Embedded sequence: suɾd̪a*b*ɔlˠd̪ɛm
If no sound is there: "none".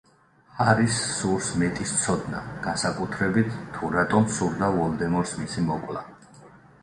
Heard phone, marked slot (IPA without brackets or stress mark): v